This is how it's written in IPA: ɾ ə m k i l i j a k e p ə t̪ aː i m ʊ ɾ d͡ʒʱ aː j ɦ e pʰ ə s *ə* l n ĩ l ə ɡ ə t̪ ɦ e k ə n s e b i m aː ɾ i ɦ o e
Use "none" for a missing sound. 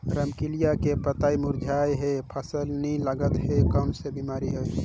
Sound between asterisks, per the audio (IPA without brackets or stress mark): ə